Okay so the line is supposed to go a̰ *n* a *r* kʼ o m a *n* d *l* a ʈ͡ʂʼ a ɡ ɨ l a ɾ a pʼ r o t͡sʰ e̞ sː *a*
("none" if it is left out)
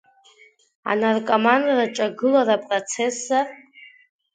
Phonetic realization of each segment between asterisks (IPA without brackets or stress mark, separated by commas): n, r, n, r, a